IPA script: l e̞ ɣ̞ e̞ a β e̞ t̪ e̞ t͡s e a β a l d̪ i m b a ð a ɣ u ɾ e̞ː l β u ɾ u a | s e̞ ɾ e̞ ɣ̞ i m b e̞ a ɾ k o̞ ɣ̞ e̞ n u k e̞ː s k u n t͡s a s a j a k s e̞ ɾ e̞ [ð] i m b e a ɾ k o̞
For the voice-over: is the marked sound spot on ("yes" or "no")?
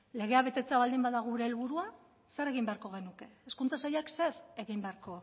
no